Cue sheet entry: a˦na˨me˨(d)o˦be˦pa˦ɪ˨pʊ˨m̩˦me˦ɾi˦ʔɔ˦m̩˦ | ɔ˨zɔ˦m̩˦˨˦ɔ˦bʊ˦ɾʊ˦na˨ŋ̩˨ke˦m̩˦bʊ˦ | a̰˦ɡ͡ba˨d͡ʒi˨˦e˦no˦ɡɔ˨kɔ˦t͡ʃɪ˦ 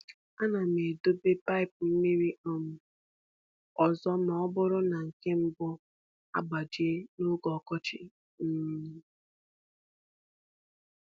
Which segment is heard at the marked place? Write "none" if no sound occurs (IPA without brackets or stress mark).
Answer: d